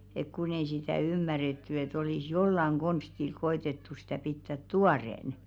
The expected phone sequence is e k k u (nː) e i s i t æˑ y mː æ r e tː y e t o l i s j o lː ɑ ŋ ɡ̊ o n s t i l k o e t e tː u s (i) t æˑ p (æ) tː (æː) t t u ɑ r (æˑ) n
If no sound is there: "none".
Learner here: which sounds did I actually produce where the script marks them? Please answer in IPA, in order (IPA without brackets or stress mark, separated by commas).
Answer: n, i, i, æ, eˑ